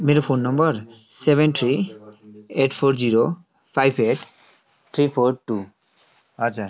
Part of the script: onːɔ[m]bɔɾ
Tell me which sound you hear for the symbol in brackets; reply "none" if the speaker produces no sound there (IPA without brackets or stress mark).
m